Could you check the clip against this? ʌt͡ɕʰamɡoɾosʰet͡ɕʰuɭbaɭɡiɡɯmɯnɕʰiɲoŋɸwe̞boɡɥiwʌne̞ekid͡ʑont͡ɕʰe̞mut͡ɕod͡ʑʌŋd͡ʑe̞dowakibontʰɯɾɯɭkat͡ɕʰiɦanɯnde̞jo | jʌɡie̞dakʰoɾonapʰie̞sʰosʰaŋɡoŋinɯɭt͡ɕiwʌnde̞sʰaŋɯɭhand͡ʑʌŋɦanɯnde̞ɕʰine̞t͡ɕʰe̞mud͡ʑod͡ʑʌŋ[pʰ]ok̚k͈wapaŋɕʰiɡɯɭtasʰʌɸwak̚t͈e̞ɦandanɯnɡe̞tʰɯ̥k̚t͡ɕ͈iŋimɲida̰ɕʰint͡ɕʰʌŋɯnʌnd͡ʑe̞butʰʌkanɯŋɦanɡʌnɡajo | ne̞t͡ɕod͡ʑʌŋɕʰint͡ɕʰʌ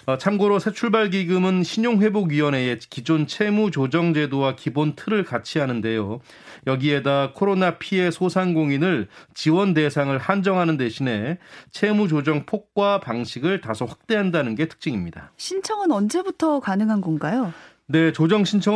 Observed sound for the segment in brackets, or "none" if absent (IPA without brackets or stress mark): pʰ